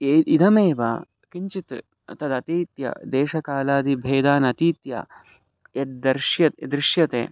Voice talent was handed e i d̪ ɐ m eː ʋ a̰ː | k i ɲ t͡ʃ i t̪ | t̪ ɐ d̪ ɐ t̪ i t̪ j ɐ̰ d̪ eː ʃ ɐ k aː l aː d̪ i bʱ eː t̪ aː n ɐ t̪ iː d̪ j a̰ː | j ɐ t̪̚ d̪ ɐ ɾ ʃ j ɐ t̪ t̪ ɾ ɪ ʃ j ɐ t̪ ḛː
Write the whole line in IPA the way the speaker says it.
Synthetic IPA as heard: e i d̪ ɐ m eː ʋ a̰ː | k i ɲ t͡ʃ i t̪ | t̪ ɐ d̪ ɐ t̪ iː t̪ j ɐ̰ d̪ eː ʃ ɐ k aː l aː d̪ i bʱ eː d̪ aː n ɐ t̪ iː t̪ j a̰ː | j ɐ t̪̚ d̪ ɐ ɾ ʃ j ɐ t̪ d̪ ɾ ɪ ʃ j ɐ t̪ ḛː